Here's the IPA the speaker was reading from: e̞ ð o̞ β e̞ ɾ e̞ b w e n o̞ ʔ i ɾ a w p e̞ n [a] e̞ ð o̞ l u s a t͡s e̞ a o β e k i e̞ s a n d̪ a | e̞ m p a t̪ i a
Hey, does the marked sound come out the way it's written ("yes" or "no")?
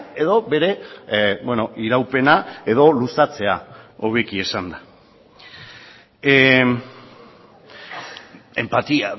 yes